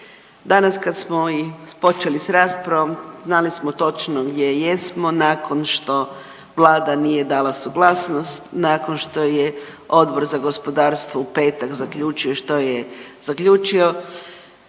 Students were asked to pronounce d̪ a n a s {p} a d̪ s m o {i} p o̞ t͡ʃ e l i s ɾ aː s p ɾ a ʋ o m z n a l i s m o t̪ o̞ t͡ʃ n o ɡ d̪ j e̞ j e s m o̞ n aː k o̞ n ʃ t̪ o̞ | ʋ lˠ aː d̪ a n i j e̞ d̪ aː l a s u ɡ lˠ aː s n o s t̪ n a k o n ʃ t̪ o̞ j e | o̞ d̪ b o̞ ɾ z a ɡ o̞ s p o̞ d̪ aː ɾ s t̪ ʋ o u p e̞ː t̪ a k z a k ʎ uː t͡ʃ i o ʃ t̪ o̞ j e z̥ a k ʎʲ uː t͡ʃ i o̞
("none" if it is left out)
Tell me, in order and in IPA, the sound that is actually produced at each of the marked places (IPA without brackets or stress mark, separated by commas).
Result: k, i